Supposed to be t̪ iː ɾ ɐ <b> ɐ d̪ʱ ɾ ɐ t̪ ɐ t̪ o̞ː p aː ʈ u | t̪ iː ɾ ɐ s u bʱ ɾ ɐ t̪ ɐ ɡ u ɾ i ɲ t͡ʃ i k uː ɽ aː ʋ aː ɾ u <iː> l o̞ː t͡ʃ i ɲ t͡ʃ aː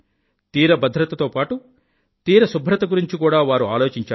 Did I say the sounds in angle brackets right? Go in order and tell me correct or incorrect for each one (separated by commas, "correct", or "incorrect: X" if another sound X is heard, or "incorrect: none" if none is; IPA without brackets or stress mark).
correct, incorrect: aː